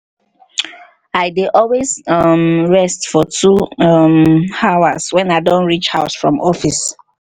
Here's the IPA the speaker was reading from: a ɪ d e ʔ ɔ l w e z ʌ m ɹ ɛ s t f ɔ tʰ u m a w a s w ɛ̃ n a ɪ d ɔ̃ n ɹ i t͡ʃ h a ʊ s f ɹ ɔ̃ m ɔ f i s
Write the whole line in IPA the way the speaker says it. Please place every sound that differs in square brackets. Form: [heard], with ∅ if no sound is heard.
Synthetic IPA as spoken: a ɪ d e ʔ ɔ l w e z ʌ m ɹ ɛ s t f ɔ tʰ u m a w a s w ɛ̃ n a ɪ d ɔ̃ n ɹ i t͡ʃ h a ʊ s f ɹ ɔ̃ m ɔ f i s